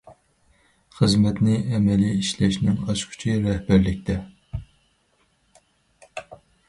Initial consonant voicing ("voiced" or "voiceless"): voiceless